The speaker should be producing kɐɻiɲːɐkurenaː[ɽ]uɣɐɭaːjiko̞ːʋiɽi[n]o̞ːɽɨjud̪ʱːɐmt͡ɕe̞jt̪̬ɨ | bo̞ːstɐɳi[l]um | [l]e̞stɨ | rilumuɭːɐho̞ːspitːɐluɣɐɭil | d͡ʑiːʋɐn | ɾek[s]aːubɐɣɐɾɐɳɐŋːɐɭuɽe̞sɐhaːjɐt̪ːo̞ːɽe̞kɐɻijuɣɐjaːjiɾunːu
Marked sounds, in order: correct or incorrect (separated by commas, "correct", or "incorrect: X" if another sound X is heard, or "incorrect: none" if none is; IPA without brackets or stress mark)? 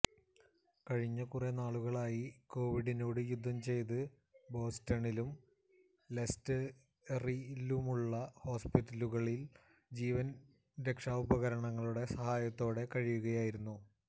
incorrect: ɭ, correct, correct, correct, incorrect: ʂ